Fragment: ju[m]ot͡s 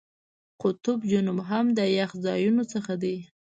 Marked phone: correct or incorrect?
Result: incorrect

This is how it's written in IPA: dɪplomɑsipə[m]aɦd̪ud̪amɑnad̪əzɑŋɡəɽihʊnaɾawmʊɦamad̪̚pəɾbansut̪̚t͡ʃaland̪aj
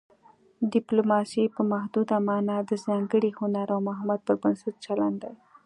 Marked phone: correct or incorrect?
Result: correct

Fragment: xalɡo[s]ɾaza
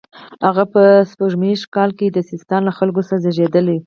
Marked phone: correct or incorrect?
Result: correct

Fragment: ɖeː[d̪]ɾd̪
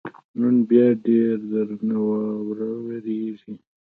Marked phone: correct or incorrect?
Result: incorrect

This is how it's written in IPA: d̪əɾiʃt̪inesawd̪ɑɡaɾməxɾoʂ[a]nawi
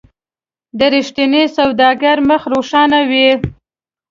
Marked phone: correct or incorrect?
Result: incorrect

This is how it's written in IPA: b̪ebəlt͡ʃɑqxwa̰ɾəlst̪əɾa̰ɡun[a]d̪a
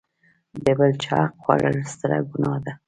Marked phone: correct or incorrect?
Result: incorrect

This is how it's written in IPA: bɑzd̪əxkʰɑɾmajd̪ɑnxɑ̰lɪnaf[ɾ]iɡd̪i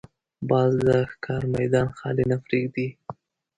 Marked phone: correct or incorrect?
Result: correct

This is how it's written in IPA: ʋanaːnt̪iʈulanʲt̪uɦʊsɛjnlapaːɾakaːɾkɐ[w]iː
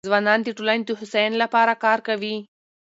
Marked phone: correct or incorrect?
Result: incorrect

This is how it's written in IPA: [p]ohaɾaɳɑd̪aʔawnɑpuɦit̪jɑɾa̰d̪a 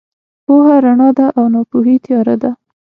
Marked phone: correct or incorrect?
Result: correct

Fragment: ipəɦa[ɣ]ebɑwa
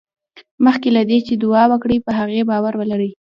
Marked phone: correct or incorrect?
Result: correct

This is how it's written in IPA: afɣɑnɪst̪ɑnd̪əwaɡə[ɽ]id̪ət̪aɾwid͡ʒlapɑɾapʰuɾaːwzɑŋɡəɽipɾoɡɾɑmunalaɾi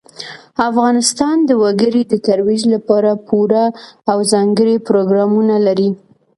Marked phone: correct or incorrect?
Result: incorrect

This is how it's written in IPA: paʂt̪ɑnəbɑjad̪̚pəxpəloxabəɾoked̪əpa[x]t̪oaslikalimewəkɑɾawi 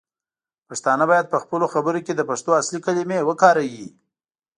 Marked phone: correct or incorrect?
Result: incorrect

